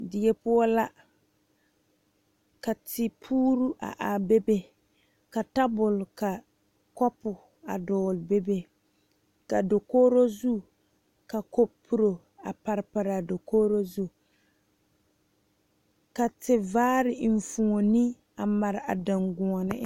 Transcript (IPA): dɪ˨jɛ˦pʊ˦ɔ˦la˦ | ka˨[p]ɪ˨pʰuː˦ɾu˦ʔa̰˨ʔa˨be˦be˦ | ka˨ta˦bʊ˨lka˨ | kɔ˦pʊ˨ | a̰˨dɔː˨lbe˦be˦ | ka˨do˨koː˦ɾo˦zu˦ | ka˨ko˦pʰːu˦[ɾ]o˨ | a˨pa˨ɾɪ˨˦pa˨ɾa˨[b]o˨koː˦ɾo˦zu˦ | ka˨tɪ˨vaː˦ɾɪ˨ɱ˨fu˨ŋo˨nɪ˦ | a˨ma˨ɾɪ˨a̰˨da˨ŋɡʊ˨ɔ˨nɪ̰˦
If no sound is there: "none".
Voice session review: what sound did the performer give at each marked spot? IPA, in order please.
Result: t, ɾ, d

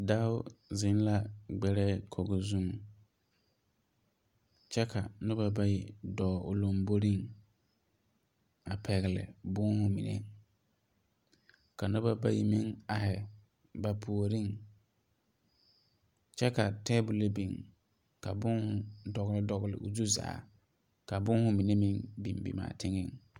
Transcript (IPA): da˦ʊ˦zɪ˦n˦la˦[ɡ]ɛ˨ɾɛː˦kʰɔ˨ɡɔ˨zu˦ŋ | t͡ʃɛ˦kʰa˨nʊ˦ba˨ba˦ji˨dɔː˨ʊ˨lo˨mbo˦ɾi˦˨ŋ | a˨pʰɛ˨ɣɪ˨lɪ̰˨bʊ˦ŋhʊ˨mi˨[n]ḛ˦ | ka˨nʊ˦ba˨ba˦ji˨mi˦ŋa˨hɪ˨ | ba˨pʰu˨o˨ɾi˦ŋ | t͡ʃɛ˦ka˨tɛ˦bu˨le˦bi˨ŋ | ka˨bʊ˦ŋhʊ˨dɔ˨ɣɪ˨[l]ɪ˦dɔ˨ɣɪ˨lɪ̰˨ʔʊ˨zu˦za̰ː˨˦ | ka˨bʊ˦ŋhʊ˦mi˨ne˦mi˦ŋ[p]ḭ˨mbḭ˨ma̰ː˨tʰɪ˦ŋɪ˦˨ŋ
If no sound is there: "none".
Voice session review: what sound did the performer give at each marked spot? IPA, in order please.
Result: ɡ͡b, n, l, b

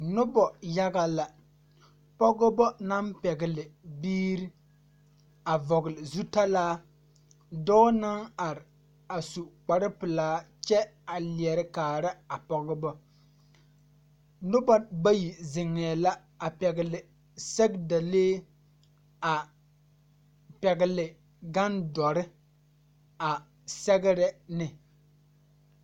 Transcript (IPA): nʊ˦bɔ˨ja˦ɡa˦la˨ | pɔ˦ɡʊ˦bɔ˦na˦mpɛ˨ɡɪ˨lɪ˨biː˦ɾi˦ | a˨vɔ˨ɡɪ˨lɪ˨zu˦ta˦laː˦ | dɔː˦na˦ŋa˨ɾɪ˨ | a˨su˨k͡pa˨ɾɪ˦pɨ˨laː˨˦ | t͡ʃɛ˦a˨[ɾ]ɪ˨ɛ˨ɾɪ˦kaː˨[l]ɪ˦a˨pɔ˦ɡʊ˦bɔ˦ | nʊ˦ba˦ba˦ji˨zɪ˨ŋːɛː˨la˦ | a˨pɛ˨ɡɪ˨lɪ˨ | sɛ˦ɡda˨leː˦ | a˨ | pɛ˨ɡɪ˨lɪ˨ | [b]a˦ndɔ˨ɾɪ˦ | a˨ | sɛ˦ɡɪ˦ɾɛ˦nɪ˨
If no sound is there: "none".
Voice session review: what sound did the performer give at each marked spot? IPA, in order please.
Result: l, ɾ, ɡ

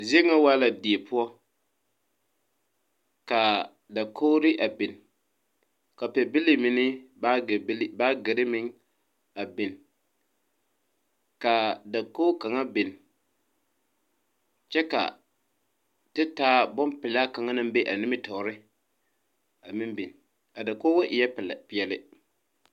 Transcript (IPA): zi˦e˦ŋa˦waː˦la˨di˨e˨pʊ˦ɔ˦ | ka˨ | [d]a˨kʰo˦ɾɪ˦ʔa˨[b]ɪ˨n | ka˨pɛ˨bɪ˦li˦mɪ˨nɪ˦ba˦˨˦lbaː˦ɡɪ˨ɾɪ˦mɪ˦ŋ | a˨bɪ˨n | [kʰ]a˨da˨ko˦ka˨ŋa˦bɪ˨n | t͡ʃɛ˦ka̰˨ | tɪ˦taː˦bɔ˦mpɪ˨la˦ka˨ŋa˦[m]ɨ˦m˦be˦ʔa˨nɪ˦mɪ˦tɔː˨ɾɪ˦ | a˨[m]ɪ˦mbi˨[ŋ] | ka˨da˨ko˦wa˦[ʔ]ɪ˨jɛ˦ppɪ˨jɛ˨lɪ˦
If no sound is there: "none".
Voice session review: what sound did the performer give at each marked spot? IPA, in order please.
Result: d, b, k, n, m, n, ʔ

